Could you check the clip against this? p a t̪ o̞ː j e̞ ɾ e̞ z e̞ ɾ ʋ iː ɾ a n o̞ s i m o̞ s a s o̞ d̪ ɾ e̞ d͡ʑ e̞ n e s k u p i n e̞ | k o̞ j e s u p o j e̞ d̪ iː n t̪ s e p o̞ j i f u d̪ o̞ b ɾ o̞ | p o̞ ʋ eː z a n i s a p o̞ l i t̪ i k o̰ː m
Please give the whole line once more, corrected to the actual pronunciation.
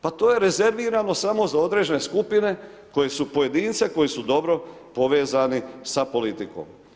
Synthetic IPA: p a t̪ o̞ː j e̞ ɾ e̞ z e̞ ɾ ʋ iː ɾ a n o̞ s a m o̞ z a o̞ d̪ ɾ e̞ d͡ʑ e̞ n e s k u p i n e̞ | k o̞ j e s u p o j e̞ d̪ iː n t̪ s e k o̞ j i s u d̪ o̞ b ɾ o̞ | p o̞ ʋ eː z a n i s a p o̞ l i t̪ i k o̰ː m

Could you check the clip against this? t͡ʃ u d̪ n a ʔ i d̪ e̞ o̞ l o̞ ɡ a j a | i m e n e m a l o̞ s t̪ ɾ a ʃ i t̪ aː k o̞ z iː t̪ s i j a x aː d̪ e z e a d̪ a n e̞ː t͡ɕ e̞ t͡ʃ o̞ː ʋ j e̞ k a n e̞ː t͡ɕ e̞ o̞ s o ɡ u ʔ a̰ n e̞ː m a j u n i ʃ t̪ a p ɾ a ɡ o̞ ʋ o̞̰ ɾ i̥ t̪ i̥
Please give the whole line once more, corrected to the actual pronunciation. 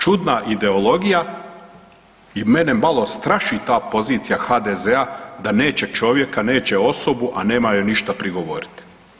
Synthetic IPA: t͡ʃ u d̪ n a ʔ i d̪ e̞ o̞ l o̞ ɡ i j a | i m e n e m a l o̞ s t̪ ɾ a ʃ i t̪ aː p o̞ z iː t̪ s i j a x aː d̪ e z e a d̪ a n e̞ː t͡ɕ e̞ t͡ʃ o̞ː ʋ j e̞ k a n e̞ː t͡ɕ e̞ o̞ s o b u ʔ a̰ n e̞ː m a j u n i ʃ t̪ a p ɾ i ɡ o̞ ʋ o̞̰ ɾ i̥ t̪ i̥

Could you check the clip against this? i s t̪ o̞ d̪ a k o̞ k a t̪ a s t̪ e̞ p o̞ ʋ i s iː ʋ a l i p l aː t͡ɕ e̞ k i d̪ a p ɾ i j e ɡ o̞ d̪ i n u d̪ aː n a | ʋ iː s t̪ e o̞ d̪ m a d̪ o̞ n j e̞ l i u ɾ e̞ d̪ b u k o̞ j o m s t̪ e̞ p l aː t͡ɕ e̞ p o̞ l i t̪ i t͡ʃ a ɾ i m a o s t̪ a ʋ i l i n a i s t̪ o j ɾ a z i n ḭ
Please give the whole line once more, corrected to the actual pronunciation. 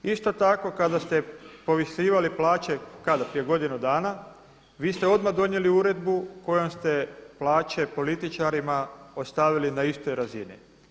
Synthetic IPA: i s t̪ o̞ t̪ a k o̞ k a d̪ a s t̪ e̞ p o̞ ʋ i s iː ʋ a l i p l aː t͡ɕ e̞ k a d̪ a p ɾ i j e ɡ o̞ d̪ i n u d̪ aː n a | ʋ iː s t̪ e o̞ d̪ m a d̪ o̞ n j e̞ l i u ɾ e̞ d̪ b u k o̞ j o m s t̪ e̞ p l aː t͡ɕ e̞ p o̞ l i t̪ i t͡ʃ a ɾ i m a o s t̪ a ʋ i l i n a i s t̪ o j ɾ a z i n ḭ

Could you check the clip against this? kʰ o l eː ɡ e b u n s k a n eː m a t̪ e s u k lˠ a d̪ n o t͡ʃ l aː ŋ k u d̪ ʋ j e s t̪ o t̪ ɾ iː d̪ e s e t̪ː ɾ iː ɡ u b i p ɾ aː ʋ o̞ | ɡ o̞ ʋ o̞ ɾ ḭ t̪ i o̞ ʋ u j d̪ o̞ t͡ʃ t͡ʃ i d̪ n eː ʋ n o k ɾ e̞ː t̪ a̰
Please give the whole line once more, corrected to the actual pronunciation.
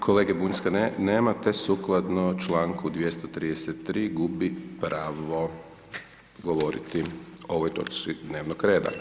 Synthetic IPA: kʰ o l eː ɡ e b u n s k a n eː m a t̪ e s u k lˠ a d̪ n o t͡ʃ l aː ŋ k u d̪ ʋ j e s t̪ o t̪ ɾ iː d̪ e s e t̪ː ɾ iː ɡ u b i p ɾ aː ʋ o̞ | ɡ o̞ ʋ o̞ ɾ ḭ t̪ i o̞ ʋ o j t̪ o̞ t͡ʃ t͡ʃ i d̪ n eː ʋ n o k ɾ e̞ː d̪ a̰

